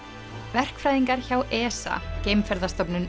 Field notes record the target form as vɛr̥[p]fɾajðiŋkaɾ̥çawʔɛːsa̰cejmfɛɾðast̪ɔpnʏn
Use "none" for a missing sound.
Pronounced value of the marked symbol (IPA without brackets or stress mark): k